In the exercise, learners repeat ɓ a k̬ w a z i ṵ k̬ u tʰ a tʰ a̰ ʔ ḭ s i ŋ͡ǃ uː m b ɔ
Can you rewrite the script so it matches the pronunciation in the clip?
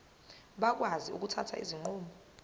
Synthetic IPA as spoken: ɓ a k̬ w a z i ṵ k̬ u tʰ a tʰ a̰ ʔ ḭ z i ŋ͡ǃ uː m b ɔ